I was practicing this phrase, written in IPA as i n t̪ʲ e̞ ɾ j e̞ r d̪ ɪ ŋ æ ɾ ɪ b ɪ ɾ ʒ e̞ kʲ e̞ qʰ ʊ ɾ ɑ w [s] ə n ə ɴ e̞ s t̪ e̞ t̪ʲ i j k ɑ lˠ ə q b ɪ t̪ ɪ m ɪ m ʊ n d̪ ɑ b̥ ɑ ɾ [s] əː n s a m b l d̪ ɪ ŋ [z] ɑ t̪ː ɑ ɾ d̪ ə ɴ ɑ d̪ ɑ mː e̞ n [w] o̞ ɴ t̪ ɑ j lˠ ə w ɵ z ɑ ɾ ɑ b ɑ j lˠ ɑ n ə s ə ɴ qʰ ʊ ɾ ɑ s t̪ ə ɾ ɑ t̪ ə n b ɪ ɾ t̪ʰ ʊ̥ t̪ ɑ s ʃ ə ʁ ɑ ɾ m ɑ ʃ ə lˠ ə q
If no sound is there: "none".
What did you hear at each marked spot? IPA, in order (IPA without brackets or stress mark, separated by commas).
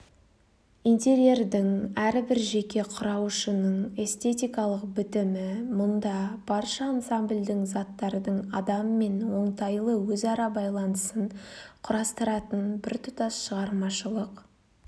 ʃ, ʃ, z, w